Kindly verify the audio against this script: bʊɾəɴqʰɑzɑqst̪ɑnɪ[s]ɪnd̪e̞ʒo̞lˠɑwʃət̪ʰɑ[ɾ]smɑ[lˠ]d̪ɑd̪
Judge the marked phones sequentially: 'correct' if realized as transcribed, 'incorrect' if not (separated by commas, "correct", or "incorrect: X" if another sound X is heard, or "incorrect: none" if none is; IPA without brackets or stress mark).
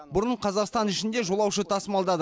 incorrect: ʃ, incorrect: none, correct